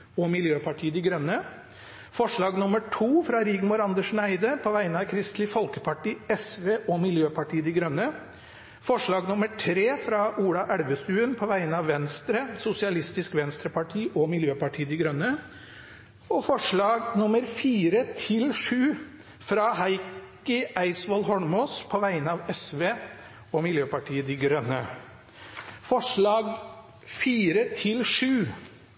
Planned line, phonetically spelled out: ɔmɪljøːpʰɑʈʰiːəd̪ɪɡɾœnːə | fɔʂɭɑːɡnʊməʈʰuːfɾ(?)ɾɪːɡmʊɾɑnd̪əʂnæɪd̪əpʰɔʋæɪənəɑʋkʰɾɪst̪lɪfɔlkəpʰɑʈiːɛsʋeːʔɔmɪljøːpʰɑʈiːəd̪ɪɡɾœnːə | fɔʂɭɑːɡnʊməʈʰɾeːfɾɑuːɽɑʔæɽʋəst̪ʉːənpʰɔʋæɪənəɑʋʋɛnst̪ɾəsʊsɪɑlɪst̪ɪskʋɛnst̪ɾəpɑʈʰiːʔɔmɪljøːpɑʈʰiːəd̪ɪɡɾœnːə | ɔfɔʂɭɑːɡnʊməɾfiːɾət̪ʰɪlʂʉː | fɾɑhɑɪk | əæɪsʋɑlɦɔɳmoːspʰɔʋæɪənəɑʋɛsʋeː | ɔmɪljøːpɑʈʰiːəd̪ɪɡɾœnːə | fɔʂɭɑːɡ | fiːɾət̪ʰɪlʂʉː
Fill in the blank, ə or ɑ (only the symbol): ɑ